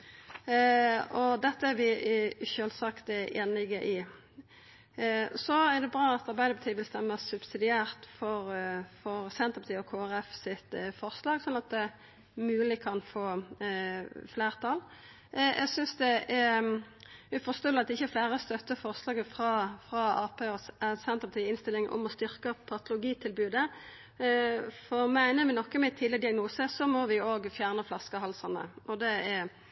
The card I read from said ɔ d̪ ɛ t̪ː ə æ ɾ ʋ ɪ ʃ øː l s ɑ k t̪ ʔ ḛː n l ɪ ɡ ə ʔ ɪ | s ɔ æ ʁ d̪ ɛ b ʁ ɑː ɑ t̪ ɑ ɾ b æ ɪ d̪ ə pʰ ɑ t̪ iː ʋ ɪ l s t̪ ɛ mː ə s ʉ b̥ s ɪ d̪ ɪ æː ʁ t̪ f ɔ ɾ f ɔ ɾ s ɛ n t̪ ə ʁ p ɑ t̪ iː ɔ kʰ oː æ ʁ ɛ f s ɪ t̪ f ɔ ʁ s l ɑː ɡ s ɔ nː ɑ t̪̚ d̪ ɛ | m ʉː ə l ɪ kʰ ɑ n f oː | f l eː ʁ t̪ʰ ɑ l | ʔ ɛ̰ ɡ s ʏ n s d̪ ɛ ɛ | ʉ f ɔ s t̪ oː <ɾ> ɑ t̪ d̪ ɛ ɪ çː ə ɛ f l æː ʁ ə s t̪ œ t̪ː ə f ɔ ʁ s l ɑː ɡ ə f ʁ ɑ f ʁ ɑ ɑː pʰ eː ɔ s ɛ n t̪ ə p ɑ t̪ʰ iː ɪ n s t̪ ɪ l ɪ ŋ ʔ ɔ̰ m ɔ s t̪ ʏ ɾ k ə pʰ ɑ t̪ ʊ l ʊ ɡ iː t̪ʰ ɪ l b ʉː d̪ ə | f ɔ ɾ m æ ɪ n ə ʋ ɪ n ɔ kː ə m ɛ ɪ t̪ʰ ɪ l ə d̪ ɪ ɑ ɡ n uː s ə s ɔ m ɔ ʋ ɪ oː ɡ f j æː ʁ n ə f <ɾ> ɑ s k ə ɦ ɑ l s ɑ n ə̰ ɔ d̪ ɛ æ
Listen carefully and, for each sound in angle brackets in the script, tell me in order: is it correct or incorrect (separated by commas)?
incorrect, incorrect